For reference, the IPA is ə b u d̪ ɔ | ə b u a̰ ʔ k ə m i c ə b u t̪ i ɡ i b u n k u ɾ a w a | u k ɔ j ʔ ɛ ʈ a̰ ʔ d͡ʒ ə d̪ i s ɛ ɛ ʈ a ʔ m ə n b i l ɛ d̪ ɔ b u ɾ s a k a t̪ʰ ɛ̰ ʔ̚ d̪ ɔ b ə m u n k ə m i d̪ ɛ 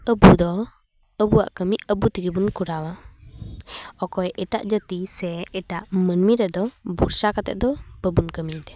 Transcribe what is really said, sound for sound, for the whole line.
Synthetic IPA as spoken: ə b u d̪ ɔ | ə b u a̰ ʔ k ə m i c ə b u t̪ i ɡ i b u n k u ɾ a w a | ɔ k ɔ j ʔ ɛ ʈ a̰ ʔ d͡ʒ ə t̪ i s ɛ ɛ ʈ a ʔ m ə n m i ɾ ɛ d̪ ɔ b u ɾ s a k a t̪ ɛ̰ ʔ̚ d̪ ɔ b ə b u n k ə m i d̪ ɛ